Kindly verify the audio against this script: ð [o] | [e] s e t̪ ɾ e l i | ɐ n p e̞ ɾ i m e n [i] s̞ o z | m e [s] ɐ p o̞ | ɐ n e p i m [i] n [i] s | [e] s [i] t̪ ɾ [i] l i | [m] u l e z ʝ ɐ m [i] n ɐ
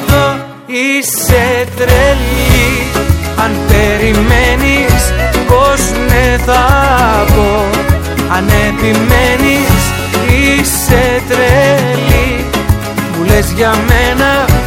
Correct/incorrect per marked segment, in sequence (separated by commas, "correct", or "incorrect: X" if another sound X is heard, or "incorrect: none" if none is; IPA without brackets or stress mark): correct, incorrect: i, correct, incorrect: θ, incorrect: e, correct, incorrect: i, incorrect: e, incorrect: e, correct, incorrect: e